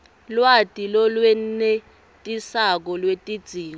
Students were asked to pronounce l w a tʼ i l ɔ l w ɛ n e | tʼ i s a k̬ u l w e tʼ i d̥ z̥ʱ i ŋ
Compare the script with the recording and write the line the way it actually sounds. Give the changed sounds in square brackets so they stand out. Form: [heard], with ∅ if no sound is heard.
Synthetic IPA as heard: l w a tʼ i l ɔ l w ɛ n e | tʼ i s a k̬ [ɔ] l w e tʼ i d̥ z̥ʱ [iː] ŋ